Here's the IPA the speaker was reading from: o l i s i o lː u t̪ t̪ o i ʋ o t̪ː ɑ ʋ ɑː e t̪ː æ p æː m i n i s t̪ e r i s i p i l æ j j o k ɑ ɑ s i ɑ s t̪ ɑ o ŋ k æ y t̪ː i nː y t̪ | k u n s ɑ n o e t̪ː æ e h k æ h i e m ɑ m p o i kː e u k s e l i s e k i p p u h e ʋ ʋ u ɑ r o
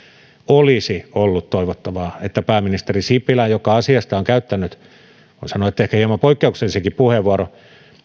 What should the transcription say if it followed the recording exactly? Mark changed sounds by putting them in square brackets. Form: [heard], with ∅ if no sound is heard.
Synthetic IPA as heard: o l i s i o lː u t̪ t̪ o i ʋ o t̪ː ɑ ʋ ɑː e t̪ː æ p æː m i n i s t̪ e r i s i p i l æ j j o k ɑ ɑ s i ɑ s t̪ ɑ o ŋ k æ y t̪ː [æ] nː y t̪ | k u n s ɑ n o e t̪ː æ e h k æ h i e m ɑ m p o i kː e u k s e l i s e k i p p u h e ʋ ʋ u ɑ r o